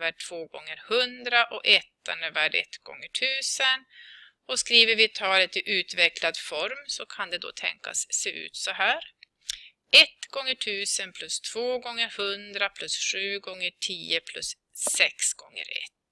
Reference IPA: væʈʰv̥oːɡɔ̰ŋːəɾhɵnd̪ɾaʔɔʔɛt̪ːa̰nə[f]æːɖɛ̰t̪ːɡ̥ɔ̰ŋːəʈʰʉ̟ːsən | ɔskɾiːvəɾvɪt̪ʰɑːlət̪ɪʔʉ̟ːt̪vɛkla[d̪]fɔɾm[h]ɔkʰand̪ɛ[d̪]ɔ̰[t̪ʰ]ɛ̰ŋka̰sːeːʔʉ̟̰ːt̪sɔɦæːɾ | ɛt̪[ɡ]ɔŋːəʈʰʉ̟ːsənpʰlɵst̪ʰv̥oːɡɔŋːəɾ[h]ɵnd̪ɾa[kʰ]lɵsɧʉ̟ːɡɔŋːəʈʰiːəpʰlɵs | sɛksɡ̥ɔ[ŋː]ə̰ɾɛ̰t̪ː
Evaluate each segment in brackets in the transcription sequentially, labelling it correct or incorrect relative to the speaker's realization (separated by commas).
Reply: incorrect, correct, incorrect, correct, correct, correct, correct, incorrect, correct